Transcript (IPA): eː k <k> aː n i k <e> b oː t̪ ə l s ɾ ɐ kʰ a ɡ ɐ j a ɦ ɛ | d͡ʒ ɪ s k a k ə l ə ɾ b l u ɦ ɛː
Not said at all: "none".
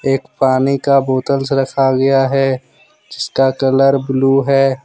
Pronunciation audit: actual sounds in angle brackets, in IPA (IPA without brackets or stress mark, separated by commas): p, a